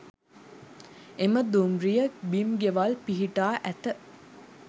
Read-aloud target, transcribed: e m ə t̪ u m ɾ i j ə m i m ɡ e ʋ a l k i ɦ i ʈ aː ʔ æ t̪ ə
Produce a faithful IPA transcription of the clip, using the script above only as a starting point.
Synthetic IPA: e m ə d̪ u m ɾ i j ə b i m ɡ e ʋ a l p i ɦ i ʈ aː ʔ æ t̪ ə